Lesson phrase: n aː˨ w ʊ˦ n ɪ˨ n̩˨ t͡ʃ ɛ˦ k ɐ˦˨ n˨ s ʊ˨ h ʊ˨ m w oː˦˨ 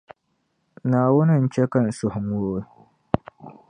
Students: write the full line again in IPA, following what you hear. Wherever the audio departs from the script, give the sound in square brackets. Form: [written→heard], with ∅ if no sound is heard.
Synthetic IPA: n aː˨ w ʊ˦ n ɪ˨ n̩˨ t͡ʃ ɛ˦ k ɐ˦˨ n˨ s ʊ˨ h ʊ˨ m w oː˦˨